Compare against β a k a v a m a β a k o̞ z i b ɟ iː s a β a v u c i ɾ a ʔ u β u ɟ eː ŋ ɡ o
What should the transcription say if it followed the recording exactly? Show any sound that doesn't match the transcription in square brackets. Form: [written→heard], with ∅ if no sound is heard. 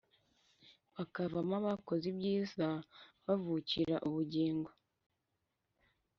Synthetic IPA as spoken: β a k a v a m a β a k o̞ z i b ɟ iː [s→z] a β a v u c i ɾ a ʔ u β u ɟ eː ŋ ɡ o

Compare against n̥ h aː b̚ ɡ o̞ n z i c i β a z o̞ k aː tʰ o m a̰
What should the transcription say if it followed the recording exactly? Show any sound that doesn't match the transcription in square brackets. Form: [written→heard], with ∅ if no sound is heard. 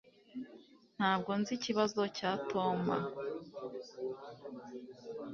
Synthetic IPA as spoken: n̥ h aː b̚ ɡ o̞ n z i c i β a z o̞ [k→c] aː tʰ o m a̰

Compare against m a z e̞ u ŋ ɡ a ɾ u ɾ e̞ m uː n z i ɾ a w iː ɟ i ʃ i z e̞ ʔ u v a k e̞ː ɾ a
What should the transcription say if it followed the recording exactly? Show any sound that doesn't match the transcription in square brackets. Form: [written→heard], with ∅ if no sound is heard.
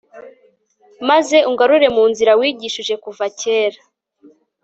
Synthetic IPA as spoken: m a z e̞ u ŋ ɡ a ɾ u ɾ e̞ m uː n z i ɾ a w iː ɟ i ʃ i [z→ʒ] e̞ [ʔ→k] u v a [k→c] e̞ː ɾ a

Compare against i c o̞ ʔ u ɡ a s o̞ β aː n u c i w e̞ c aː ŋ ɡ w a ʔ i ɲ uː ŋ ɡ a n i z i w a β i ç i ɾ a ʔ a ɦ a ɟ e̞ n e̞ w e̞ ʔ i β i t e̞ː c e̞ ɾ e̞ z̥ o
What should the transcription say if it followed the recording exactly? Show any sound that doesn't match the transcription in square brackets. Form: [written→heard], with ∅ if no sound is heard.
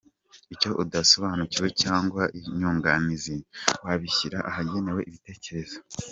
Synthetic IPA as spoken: i c o̞ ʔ u [ɡ→d] a s o̞ β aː n u c i w e̞ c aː ŋ ɡ w a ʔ i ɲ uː ŋ ɡ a n i z i w a β i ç i ɾ a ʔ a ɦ a ɟ e̞ n e̞ w e̞ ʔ i β i t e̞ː c e̞ ɾ e̞ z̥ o

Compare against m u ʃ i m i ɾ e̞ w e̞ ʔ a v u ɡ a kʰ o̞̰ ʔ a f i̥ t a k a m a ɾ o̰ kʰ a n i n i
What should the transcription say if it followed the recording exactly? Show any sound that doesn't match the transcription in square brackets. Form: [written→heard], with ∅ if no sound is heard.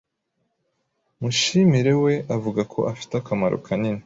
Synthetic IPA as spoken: m u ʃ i m i ɾ e̞ w e̞ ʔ a v u ɡ a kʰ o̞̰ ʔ a f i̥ t a k a m a ɾ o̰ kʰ a n i n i

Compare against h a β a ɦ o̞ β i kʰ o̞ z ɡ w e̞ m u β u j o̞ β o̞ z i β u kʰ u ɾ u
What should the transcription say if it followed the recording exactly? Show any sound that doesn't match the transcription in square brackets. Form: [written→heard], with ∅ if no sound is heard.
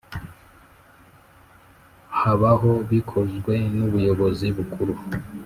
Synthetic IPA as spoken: h a β a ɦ o̞ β i kʰ o̞ z ɡ w e̞ [m→n] u β u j o̞ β o̞ z i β u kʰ u ɾ u

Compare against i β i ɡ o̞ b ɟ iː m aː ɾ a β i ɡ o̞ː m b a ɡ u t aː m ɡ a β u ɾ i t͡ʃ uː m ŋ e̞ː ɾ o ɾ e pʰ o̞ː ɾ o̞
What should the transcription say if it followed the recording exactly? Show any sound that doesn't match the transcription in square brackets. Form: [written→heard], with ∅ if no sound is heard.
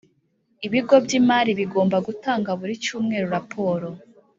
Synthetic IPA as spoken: i β i ɡ o̞ b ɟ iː m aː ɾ [a→i] β i ɡ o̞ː m b a ɡ u t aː [m→ŋ] ɡ a β u ɾ i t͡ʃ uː m ŋ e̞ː ɾ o ɾ [e→a] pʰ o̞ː ɾ o̞

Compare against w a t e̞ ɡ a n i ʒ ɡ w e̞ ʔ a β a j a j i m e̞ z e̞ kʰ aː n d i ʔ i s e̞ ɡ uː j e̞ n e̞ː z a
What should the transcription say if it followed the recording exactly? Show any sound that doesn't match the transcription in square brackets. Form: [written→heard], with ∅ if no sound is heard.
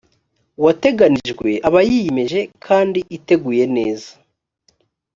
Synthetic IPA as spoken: w a t e̞ ɡ a n i ʒ ɡ w e̞ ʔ a β a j [a→i] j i m e̞ [z→ʒ] e̞ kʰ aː n d i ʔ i [s→t] e̞ ɡ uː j e̞ n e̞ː z a

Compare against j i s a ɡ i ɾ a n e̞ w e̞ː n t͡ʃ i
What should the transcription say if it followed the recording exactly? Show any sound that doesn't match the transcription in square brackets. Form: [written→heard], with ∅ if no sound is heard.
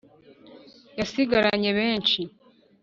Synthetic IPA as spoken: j [i→a] s [a→i] ɡ [i→a] ɾ a [n→ɲ] e̞ [w→β] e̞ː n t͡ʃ i

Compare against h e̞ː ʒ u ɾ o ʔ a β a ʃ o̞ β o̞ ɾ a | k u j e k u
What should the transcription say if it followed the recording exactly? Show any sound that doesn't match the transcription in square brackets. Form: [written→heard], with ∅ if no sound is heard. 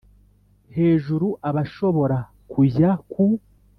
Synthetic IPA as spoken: h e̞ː ʒ u ɾ [o→u] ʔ a β a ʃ o̞ β o̞ ɾ a | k u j [e→a] k u

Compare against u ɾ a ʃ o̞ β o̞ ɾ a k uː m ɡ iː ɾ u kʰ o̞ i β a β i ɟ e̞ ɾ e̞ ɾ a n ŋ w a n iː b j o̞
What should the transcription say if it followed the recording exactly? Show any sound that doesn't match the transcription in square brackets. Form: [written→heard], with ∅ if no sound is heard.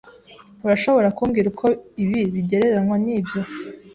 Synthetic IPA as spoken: u ɾ a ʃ o̞ β o̞ ɾ a k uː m ɡ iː ɾ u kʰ o̞ i β [a→i] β i ɟ e̞ ɾ e̞ ɾ a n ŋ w a n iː b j o̞

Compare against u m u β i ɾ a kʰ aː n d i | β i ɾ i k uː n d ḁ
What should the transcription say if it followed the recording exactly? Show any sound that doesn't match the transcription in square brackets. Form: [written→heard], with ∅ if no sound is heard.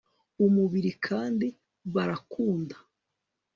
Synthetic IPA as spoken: u m u β i ɾ [a→i] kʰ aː n d i | β [i→a] ɾ [i→a] k uː n d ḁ

